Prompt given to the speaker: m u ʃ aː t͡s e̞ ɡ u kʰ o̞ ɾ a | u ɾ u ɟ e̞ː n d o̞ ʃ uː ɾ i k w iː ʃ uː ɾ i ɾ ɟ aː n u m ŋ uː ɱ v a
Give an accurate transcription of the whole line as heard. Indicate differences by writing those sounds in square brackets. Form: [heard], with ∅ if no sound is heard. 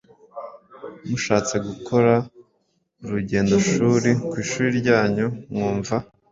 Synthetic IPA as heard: m u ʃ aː t͡s e̞ ɡ u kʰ o̞ ɾ a | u ɾ u ɟ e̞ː n d o̞ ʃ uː ɾ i k w iː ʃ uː ɾ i ɾ ɟ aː [ɲ] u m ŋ uː ɱ v a